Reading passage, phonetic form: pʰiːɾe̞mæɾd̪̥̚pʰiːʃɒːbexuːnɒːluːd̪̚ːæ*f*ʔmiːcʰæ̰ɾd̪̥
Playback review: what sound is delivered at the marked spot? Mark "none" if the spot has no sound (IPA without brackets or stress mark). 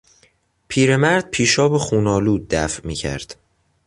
f